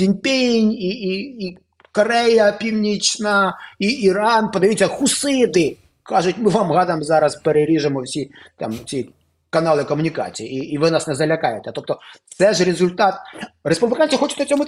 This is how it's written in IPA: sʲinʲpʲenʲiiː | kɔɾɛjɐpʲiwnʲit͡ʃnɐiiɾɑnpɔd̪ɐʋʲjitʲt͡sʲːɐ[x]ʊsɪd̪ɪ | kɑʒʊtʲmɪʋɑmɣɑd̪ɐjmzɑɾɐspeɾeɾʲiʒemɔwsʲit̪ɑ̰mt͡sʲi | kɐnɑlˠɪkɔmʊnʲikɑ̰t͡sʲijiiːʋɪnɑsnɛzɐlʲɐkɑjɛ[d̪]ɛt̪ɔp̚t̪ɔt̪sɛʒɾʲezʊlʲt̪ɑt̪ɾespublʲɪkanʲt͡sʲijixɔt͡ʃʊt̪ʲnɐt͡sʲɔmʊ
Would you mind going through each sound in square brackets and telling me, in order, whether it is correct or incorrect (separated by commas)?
correct, incorrect